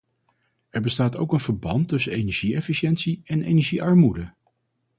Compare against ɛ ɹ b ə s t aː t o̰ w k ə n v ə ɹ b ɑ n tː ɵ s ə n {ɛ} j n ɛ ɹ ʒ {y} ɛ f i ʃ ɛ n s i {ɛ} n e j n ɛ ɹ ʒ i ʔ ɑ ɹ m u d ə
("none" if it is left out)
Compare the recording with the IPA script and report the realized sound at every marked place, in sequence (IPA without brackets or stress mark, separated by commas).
e, i, ɛ